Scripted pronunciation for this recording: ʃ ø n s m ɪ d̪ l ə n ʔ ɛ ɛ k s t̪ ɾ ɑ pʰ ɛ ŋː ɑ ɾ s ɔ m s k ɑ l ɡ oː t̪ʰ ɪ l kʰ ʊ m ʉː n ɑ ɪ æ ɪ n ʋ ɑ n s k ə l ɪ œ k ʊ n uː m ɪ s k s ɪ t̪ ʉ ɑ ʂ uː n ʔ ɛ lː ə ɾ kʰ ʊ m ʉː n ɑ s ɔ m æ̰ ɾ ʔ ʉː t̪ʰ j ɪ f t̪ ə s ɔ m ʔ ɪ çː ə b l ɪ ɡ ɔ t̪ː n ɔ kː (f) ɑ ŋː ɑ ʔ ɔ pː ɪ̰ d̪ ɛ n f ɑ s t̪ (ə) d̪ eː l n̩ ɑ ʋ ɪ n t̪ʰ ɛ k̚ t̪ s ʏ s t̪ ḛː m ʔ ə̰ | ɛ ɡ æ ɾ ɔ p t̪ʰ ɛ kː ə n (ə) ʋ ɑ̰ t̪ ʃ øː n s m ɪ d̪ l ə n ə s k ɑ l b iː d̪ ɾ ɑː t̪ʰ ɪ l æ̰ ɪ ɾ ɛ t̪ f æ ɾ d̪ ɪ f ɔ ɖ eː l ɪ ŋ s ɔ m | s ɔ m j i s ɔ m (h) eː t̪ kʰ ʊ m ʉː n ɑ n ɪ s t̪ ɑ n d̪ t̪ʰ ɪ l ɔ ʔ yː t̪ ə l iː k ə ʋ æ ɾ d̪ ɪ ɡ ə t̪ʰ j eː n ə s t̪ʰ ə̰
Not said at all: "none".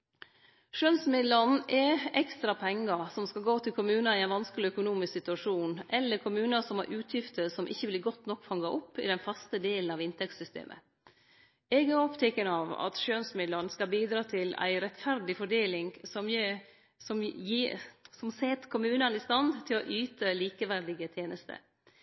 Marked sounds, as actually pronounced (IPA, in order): f, ə, ɑ, s

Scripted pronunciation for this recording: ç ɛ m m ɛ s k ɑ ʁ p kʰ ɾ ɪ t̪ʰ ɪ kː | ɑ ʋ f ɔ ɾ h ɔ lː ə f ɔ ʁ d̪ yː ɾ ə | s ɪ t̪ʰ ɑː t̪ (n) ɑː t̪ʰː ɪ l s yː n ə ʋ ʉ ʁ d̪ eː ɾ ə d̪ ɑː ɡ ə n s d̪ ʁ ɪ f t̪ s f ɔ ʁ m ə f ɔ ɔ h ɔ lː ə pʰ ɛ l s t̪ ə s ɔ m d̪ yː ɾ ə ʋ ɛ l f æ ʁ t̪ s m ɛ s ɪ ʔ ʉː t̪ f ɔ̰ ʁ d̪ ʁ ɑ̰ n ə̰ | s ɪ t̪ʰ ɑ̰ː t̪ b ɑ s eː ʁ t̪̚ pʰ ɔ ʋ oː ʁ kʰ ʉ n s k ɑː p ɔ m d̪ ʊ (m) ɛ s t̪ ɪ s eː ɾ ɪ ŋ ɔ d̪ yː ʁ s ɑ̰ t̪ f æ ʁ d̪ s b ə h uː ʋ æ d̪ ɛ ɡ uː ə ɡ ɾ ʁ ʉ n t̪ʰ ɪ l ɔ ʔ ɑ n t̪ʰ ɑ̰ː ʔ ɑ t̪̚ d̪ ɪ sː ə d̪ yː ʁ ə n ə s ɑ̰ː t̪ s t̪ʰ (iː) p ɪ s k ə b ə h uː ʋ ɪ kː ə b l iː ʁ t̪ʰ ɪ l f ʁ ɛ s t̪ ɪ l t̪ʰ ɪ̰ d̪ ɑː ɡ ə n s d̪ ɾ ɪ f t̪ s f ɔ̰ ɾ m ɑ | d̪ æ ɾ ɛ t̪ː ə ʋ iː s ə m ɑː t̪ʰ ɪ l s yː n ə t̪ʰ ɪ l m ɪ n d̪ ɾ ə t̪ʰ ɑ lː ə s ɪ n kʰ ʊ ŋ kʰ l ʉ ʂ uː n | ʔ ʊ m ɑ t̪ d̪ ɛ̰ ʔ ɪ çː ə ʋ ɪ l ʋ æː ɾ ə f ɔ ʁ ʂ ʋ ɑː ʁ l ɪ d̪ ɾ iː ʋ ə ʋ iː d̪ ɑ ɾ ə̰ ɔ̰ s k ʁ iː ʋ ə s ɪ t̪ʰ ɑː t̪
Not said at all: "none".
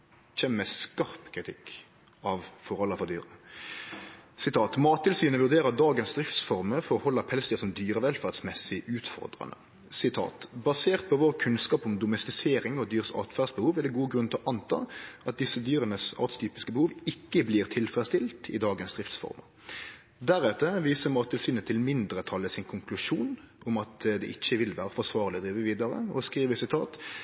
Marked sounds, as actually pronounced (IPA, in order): m, m, yː

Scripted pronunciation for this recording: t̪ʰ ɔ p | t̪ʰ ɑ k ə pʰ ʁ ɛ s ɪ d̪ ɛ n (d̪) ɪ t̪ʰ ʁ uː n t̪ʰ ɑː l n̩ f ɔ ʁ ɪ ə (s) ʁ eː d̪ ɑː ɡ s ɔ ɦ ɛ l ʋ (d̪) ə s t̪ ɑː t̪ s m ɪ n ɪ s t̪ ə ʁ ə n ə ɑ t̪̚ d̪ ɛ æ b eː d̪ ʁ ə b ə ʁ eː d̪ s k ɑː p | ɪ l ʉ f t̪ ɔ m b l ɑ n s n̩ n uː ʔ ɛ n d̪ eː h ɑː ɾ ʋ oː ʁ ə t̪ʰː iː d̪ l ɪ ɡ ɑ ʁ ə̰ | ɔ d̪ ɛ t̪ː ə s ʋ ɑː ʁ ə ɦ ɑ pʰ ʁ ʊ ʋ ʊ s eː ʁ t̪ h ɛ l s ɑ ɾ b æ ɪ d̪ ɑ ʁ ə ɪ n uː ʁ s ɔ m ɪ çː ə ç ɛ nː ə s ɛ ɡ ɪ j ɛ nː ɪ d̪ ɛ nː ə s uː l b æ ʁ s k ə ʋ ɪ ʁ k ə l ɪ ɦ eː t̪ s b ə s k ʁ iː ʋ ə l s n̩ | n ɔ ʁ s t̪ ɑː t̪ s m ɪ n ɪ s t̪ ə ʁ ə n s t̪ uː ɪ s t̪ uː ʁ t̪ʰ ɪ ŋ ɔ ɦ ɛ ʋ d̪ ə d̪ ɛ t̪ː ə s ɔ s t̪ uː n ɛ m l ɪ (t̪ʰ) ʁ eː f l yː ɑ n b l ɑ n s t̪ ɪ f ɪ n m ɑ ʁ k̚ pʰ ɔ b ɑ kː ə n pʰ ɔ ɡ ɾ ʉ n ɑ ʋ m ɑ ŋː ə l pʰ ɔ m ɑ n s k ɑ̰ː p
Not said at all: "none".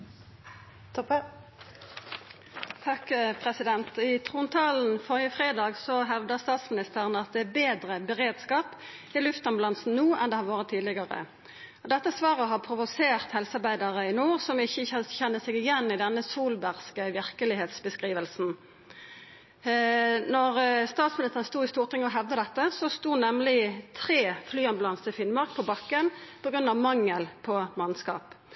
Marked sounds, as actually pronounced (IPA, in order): t̪, f, d̪, t̪ʰ

